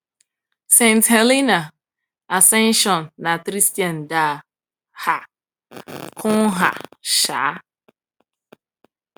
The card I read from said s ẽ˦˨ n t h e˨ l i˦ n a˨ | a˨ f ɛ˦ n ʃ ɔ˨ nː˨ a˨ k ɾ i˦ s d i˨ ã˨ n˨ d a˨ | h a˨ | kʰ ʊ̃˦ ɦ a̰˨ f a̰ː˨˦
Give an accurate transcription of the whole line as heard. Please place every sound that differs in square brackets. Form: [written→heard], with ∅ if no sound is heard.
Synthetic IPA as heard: s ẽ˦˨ n t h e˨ l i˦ n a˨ | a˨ [f→s] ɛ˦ n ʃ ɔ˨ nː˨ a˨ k ɾ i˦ s [d→t] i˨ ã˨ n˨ d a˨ | h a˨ | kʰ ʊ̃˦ ɦ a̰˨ [f→ʃ] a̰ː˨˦